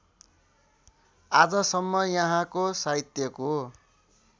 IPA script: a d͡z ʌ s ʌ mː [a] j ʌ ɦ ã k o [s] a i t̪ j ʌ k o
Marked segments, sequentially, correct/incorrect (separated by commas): incorrect, correct